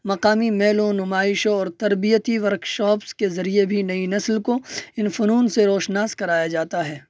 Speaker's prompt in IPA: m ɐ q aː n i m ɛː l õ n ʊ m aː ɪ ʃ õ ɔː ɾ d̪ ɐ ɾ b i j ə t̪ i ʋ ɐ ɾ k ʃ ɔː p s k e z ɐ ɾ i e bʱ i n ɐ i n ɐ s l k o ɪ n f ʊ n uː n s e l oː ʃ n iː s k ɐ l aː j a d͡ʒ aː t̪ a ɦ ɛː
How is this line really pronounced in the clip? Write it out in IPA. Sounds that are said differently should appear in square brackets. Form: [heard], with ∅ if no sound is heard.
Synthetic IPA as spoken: m ɐ q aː [m] i m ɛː l õ n ʊ m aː ɪ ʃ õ ɔː ɾ [t̪] ɐ ɾ b i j ə t̪ i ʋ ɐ ɾ k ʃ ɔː p s k e z ɐ ɾ i e bʱ i n ɐ i n ɐ s l k o ɪ n f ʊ n uː n s e [ɾ] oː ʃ n [aː] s k ɐ [ɾ] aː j a d͡ʒ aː t̪ a ɦ ɛː